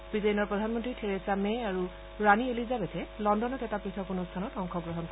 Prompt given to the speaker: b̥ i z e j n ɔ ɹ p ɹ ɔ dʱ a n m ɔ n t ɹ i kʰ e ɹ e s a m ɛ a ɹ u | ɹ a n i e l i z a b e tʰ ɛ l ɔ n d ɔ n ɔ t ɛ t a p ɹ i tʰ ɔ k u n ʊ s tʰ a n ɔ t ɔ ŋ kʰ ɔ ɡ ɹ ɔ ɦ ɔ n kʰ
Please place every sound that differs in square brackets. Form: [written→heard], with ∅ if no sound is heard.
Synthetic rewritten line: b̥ i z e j n ɔ ɹ p ɹ ɔ dʱ a n m ɔ n t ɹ i [kʰ→tʰ] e ɹ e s a m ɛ a ɹ u | ɹ a n i e l i z a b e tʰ ɛ l ɔ n d ɔ n ɔ t ɛ t a p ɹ i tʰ ɔ k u n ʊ s tʰ a n ɔ t ɔ ŋ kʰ ɔ ɡ ɹ ɔ ɦ ɔ n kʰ

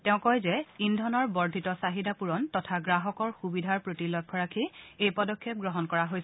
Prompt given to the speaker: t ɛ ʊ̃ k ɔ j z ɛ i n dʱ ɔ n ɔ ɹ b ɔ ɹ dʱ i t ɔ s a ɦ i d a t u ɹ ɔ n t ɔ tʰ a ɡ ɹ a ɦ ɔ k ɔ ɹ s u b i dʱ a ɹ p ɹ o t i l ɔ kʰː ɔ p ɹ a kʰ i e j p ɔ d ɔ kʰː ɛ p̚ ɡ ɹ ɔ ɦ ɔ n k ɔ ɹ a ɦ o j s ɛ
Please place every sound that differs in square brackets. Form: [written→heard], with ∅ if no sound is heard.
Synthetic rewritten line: t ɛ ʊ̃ k ɔ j z ɛ i n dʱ ɔ n ɔ ɹ b ɔ ɹ dʱ i t ɔ s a ɦ i d a [t→p] u ɹ ɔ n t ɔ tʰ a ɡ ɹ a ɦ ɔ k ɔ ɹ [s→x] u b i dʱ a ɹ p ɹ o t i l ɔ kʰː ɔ [p→∅] ɹ a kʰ i e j p ɔ d ɔ kʰː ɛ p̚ ɡ ɹ ɔ ɦ ɔ n k ɔ ɹ a ɦ o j s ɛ

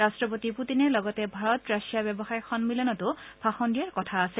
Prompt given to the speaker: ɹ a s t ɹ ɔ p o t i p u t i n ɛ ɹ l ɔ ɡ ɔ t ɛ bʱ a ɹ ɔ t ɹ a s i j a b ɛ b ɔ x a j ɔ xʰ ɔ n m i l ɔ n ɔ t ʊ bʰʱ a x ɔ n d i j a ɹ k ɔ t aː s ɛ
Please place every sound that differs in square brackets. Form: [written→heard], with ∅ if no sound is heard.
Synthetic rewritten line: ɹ a s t ɹ ɔ p o t i p u t i n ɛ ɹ l ɔ ɡ ɔ t ɛ bʱ a ɹ ɔ t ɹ a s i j a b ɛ b ɔ x a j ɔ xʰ ɔ n m i l ɔ n ɔ t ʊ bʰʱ a x ɔ n d i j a ɹ k ɔ [t→tʰ] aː s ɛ

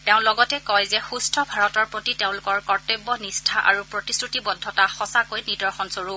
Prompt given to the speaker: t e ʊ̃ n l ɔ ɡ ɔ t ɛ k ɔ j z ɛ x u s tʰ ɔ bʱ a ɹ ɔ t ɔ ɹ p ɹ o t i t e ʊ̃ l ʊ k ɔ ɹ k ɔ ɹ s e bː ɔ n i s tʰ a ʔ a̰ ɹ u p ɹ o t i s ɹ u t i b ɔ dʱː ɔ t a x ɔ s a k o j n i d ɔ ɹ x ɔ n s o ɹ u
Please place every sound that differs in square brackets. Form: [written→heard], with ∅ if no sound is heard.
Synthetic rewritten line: t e ʊ̃ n l ɔ ɡ ɔ t ɛ k ɔ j z ɛ x u s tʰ ɔ bʱ a ɹ ɔ t ɔ ɹ p ɹ o t i t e ʊ̃ l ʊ k ɔ ɹ k ɔ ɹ [s→t] e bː ɔ n i s tʰ a ʔ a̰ ɹ u p ɹ o t i s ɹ u t i b ɔ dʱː ɔ t a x ɔ s a k o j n i d ɔ ɹ x ɔ n s o ɹ u

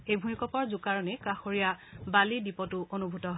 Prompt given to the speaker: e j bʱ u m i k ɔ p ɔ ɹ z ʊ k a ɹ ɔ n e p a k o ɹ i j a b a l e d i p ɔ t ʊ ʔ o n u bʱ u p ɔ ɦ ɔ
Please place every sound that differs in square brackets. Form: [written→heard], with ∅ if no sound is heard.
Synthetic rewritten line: e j bʱ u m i k ɔ p ɔ ɹ z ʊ k a ɹ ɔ n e [p→k] a [k→x] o ɹ i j a b a l [e→i] d i p ɔ t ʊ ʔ o n u bʱ u [p→t] ɔ ɦ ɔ

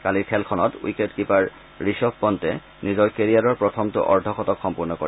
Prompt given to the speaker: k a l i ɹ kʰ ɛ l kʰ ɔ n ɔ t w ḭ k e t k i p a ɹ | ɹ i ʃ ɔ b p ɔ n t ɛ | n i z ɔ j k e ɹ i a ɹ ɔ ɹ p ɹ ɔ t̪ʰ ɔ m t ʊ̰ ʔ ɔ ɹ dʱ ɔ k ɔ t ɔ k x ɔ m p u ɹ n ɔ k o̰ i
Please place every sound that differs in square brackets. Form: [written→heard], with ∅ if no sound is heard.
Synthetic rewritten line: k a l i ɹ kʰ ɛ l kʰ ɔ n ɔ t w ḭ k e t k i p a ɹ | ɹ i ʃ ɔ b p ɔ n t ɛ | n i z ɔ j k e ɹ i a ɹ ɔ ɹ p ɹ ɔ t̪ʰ ɔ m t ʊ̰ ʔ ɔ ɹ dʱ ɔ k ɔ t ɔ k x ɔ m p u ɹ n ɔ k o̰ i

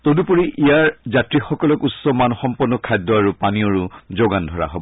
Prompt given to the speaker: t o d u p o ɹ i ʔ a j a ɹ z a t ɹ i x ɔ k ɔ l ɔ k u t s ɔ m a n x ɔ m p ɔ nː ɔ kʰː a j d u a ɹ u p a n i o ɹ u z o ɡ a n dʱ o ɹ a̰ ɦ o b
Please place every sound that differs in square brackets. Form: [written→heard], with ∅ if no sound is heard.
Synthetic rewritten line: t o d u p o ɹ i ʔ [a→i] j a ɹ z a t ɹ i x ɔ k ɔ l ɔ k u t s ɔ m a n x ɔ m p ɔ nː ɔ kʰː a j d [u→ɔ] a ɹ u p a n i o ɹ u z o ɡ a n dʱ [o→ɔ] ɹ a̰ ɦ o b

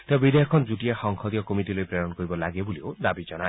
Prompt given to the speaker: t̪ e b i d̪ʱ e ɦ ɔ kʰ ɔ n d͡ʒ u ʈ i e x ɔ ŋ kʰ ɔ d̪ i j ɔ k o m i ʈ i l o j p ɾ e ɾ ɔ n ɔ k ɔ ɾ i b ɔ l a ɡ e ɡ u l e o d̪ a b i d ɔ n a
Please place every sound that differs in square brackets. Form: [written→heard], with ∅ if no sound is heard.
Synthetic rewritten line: t̪ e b i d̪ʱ e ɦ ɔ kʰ ɔ n d͡ʒ u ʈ i e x ɔ ŋ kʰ ɔ d̪ i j ɔ k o m i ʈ i l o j p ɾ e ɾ ɔ n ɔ k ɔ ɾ i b ɔ l a ɡ e [ɡ→b] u l [e→i] o d̪ a b i [d→d͡ʒ] ɔ n a

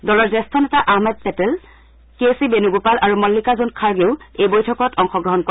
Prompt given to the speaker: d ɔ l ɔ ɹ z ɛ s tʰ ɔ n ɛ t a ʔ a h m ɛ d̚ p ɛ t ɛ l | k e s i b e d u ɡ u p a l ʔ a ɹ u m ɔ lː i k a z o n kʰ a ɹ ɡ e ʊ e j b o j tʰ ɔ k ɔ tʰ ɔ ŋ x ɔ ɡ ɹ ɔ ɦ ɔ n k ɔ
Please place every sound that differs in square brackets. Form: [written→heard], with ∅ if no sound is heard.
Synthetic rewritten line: d ɔ l ɔ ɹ z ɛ s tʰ ɔ n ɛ t a ʔ a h m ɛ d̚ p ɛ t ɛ l | k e s i b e [d→n] u ɡ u p a l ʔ a ɹ u m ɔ lː i k a z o n kʰ a ɹ ɡ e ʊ e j b o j tʰ ɔ k ɔ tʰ ɔ ŋ x ɔ ɡ ɹ ɔ ɦ ɔ n k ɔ

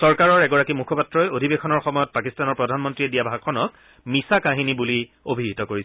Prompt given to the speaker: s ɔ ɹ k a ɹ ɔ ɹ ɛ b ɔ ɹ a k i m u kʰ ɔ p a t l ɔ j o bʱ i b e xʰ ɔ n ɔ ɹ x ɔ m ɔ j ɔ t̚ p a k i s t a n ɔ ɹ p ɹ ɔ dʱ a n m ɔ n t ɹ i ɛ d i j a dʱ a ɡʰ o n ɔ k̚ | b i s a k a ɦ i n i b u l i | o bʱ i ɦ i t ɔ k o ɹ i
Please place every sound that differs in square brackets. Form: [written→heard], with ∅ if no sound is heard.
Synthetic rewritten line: s ɔ ɹ k a ɹ ɔ ɹ ɛ [b→ɡ] ɔ ɹ a k i m u kʰ ɔ p a t [l→ɹ] ɔ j o [bʱ→dʱ] i b e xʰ ɔ n ɔ ɹ x ɔ m ɔ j ɔ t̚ p a k i s t a n ɔ ɹ p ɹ ɔ dʱ a n m ɔ n t ɹ i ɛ d i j a [dʱ→bʱ] a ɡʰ [o→ɔ] n ɔ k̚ | [b→m] i s a k a ɦ i n i b u l i | o bʱ i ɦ i t ɔ k o ɹ i

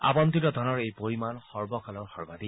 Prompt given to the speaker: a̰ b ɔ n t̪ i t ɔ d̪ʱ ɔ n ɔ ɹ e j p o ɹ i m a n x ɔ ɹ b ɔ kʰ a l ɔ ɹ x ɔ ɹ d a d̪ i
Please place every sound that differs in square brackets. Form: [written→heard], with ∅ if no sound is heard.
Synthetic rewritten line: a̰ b ɔ n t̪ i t ɔ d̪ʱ ɔ n ɔ ɹ e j p o ɹ i m a n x ɔ ɹ b ɔ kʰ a l ɔ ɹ x ɔ ɹ [d→b] a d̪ i

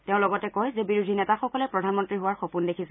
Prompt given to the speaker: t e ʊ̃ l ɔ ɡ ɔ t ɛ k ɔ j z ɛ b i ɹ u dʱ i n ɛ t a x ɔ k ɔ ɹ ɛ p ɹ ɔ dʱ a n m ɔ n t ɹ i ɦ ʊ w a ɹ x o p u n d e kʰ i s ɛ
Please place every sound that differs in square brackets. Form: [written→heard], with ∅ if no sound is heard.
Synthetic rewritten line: t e ʊ̃ l ɔ ɡ ɔ t ɛ k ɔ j z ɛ b i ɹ u dʱ i n ɛ t a x ɔ k ɔ [ɹ→l] ɛ p ɹ ɔ dʱ a n m ɔ n t ɹ i ɦ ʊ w a ɹ x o p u n d e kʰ i s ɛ

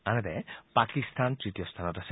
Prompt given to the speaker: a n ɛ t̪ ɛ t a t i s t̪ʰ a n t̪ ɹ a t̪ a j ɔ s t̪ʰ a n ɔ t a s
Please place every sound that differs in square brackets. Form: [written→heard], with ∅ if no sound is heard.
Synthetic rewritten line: a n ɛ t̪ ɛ [t→p] a [t→k] i s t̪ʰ a n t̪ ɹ [a→i] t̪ [a→i] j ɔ s t̪ʰ a n ɔ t a s

